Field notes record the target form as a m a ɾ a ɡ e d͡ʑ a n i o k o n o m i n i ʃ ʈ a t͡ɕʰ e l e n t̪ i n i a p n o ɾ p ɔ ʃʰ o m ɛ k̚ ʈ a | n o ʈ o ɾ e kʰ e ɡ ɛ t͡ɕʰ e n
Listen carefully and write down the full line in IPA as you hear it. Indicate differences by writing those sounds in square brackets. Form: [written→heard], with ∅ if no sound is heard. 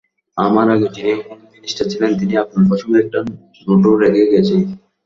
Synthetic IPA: a m a ɾ a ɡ e d͡ʑ [a→i] n i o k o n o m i n i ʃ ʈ a t͡ɕʰ [e→i] l e n t̪ i n i a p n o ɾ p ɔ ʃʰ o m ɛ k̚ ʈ a | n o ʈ o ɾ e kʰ e ɡ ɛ t͡ɕʰ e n